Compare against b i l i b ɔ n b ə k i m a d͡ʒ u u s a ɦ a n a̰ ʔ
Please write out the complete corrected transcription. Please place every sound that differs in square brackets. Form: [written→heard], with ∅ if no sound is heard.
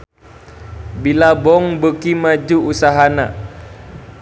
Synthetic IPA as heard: b i l [i→a] b ɔ [n→ŋ] b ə k i m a d͡ʒ u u s a ɦ a n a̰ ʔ